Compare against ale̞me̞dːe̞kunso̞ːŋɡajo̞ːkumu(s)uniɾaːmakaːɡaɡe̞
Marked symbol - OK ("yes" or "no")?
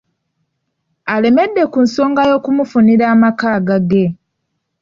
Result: no